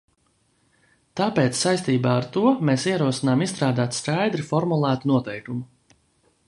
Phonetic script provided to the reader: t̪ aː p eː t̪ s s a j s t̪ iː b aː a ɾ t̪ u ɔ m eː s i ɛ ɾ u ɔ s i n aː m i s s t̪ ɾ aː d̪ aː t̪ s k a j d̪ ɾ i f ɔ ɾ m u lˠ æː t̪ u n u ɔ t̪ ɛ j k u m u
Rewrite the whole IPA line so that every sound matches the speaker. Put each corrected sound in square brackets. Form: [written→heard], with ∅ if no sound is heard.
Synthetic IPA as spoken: t̪ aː p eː t̪ s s a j s t̪ iː b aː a ɾ t̪ u ɔ m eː s i ɛ ɾ u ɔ s i n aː m i s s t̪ ɾ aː d̪ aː t̪ s k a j d̪ ɾ i f ɔ ɾ m u lˠ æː t̪ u n u ɔ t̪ ɛ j k u m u